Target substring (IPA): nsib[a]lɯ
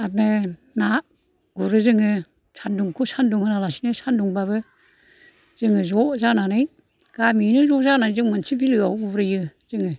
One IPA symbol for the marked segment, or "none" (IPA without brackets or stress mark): i